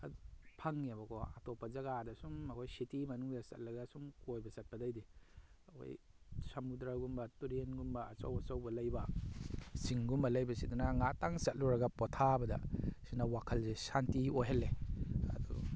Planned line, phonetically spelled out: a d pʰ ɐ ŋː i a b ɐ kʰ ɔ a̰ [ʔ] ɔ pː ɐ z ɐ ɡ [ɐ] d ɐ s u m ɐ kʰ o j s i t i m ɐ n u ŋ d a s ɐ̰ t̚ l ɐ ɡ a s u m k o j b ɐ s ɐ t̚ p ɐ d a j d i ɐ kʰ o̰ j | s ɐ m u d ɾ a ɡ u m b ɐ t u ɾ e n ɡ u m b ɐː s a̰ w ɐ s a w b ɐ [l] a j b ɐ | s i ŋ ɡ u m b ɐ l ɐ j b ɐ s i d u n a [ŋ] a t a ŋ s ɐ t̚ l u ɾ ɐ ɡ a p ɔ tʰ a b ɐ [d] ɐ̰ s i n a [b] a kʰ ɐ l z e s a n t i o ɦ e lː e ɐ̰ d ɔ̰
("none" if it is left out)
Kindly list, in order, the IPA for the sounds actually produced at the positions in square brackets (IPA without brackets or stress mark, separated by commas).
t, a, l, ŋ, d, w